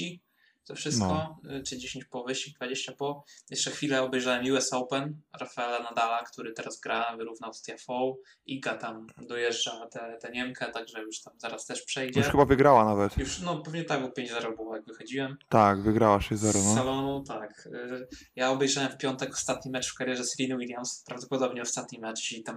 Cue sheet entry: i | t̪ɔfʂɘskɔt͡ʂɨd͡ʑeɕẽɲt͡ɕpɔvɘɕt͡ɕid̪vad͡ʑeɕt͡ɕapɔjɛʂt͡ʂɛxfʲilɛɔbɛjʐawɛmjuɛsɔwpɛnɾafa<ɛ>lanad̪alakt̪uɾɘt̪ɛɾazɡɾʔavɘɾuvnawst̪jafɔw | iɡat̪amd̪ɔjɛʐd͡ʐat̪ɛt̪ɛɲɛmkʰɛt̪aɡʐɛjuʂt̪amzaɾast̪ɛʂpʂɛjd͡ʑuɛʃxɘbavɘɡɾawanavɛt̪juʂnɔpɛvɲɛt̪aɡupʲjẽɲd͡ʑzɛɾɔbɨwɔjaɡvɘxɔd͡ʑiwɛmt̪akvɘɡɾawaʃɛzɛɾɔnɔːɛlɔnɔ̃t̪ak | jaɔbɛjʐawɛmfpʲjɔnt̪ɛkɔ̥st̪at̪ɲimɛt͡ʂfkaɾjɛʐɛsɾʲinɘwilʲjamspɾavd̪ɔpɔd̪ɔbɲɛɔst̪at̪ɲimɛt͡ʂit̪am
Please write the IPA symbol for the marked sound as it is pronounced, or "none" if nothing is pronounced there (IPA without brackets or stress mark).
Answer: ɛ